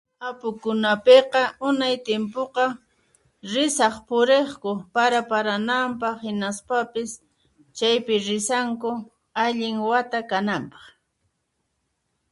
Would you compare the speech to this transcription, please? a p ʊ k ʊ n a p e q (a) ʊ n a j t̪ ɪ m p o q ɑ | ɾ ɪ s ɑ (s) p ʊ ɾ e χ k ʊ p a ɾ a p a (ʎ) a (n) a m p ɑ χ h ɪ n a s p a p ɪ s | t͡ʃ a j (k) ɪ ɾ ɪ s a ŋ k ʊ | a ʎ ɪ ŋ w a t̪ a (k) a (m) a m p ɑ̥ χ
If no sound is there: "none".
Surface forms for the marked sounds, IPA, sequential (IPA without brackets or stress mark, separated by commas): ɑ, χ, ɾ, n, p, k, n